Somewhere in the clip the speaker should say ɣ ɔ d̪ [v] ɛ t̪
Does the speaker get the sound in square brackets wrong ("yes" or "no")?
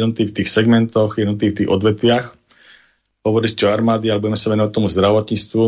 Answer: yes